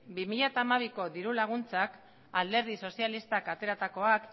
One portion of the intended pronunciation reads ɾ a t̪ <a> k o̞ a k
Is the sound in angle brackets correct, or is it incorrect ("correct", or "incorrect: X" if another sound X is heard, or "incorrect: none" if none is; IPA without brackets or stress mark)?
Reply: correct